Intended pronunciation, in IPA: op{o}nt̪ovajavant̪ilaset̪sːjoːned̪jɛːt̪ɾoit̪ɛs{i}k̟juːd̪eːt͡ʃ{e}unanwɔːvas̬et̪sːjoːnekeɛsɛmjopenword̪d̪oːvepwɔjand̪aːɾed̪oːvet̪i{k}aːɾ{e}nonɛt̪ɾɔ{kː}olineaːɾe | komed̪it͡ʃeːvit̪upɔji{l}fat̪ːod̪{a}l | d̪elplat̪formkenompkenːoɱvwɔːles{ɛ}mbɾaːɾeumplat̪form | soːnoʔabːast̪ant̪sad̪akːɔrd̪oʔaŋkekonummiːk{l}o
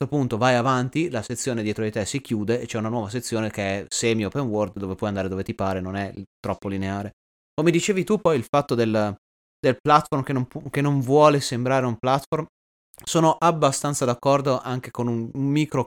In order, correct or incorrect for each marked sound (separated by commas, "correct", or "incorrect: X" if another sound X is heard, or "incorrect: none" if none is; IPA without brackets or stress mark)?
incorrect: u, correct, incorrect: ɛ, incorrect: p, correct, incorrect: pː, correct, incorrect: e, incorrect: e, incorrect: ɾ